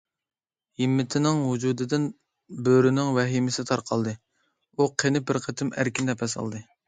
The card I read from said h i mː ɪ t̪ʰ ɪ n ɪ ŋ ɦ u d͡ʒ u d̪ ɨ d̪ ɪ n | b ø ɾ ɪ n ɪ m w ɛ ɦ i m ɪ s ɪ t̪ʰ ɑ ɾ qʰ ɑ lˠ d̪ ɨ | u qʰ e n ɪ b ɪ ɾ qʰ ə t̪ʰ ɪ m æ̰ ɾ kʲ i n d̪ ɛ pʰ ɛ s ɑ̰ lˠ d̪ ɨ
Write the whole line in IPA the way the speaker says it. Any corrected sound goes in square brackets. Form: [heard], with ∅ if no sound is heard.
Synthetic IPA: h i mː ɪ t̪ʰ ɪ n ɪ ŋ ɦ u d͡ʒ u d̪ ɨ d̪ ɪ n | b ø ɾ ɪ n ɪ [ŋ] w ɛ ɦ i m ɪ s ɪ t̪ʰ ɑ ɾ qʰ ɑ lˠ d̪ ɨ | u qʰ e n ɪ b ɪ ɾ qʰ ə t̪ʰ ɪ m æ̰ ɾ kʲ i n d̪ ɛ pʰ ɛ s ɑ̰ lˠ d̪ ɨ